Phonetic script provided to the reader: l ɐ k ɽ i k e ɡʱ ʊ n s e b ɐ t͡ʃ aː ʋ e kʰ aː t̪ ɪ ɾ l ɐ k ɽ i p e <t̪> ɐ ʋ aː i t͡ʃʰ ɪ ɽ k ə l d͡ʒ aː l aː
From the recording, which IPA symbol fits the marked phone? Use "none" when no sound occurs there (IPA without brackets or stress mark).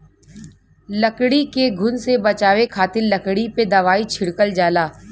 d̪